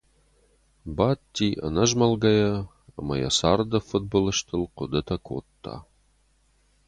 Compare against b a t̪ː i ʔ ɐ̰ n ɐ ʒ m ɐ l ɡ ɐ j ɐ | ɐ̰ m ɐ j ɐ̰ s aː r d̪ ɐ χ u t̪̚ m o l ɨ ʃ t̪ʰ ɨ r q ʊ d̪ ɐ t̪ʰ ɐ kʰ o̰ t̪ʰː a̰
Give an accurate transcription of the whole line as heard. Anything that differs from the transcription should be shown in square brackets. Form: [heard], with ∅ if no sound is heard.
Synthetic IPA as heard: b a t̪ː i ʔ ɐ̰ n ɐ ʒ m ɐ l ɡ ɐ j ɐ | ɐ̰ m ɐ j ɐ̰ s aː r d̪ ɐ [f] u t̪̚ [b] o l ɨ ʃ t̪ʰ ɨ [l] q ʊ d̪ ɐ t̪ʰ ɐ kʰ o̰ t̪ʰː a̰

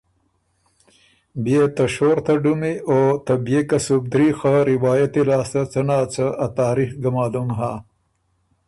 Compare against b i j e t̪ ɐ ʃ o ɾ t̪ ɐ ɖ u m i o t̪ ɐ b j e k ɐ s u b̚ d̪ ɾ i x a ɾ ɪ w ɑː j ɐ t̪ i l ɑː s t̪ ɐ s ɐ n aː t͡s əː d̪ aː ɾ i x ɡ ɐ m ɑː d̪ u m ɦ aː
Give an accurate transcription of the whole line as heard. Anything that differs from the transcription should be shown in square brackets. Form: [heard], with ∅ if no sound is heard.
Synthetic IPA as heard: b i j e t̪ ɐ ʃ o ɾ t̪ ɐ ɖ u m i o t̪ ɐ b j e k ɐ s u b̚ d̪ ɾ i x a ɾ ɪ w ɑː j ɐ t̪ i l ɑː s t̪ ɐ [t͡s] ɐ n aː t͡s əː [t̪] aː ɾ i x ɡ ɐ m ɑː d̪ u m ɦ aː

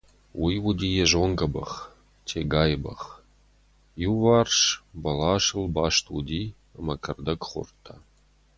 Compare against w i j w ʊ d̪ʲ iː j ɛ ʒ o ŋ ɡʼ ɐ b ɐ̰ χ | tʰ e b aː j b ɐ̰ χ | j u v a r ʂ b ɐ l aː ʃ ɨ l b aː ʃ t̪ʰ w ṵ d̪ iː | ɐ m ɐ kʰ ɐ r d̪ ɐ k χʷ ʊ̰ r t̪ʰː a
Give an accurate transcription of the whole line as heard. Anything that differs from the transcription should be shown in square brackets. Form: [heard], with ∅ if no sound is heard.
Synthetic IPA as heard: w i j w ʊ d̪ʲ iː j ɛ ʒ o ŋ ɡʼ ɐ b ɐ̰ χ | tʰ e [ɡ] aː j b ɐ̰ χ | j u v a r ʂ b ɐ l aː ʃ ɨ l b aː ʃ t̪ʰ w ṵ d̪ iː | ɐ m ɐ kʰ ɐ r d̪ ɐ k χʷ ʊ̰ r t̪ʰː a

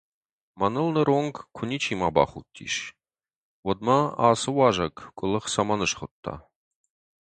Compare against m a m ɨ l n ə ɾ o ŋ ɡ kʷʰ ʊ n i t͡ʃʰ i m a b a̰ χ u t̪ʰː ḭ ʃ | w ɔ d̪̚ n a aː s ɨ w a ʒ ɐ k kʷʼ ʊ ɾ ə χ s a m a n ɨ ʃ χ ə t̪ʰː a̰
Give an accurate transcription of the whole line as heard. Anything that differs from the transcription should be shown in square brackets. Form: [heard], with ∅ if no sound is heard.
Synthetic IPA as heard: m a [n] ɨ l n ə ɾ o ŋ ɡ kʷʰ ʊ n i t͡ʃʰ i m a b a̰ χ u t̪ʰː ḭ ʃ | w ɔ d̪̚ [m] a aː s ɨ w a ʒ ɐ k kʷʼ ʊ [l] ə χ s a m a n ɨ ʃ χ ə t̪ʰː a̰

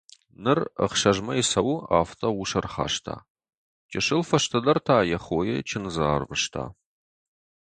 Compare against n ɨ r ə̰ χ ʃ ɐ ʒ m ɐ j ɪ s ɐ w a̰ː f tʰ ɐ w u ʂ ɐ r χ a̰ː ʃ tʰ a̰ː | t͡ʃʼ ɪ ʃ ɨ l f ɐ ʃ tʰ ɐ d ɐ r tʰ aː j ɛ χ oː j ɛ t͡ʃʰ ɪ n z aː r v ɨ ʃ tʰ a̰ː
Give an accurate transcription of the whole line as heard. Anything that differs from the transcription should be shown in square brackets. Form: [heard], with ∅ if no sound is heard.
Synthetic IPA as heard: n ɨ r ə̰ χ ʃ ɐ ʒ m ɐ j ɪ s ɐ w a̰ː f tʰ ɐ w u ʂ ɐ r χ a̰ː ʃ tʰ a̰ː | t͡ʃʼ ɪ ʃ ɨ l f ɐ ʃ tʰ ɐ d ɐ r tʰ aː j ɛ χ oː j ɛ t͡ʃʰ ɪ n z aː r v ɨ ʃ tʰ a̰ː

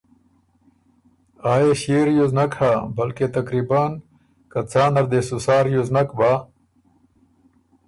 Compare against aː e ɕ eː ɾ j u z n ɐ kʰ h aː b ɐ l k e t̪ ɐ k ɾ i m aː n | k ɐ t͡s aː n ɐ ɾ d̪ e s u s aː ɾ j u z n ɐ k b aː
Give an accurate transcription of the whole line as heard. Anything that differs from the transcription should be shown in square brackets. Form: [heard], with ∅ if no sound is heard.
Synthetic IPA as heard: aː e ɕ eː ɾ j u z n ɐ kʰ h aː b ɐ l k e t̪ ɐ k ɾ i [b] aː n | k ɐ t͡s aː n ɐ ɾ d̪ e s u s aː ɾ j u z n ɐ k b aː

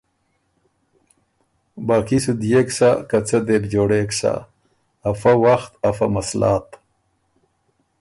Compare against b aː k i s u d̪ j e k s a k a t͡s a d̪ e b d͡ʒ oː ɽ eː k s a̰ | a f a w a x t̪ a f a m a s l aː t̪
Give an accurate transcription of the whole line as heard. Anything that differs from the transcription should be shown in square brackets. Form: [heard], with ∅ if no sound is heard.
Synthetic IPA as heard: b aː k i s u d̪ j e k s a k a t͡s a d̪ e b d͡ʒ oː ɽ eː k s a̰ | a f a w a x t̪ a f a m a s l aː t̪

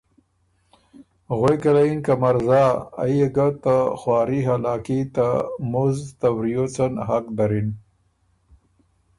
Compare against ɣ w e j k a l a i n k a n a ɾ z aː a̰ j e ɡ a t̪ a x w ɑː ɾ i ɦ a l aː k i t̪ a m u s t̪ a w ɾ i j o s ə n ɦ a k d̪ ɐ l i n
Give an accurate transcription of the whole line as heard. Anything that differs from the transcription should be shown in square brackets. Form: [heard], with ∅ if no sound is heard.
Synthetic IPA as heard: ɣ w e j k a l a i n k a [m] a ɾ z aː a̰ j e ɡ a t̪ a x w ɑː ɾ i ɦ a l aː k i t̪ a m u [z] t̪ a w ɾ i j o [t͡s] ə n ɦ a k d̪ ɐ [ɾ] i n

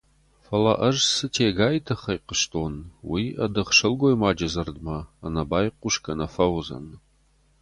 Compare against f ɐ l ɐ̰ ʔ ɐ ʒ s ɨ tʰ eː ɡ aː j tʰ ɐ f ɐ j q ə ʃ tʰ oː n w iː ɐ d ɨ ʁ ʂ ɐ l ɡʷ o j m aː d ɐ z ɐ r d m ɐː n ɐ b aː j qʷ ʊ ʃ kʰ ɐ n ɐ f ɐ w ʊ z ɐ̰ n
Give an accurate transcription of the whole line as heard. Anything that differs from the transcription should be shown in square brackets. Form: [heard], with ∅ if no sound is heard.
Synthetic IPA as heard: f ɐ l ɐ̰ ʔ ɐ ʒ s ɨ tʰ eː ɡ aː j tʰ ɐ [χ] ɐ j q ə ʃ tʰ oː n w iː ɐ d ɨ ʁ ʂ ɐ l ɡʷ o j m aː [d͡ʒ] ɐ z ɐ r d m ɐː n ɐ b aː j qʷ ʊ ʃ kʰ ɐ n ɐ f ɐ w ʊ z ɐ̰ n

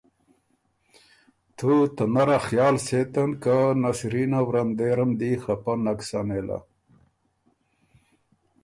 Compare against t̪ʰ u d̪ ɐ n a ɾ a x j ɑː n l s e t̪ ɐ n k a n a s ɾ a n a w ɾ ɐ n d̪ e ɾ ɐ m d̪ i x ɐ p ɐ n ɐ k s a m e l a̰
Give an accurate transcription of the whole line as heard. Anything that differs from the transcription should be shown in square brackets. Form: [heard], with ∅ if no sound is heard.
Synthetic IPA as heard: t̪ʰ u [t̪] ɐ n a ɾ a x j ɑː [∅] l s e t̪ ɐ n k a n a s ɾ [i] n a w ɾ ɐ n d̪ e ɾ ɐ m d̪ i x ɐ p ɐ n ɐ k s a [n] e l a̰

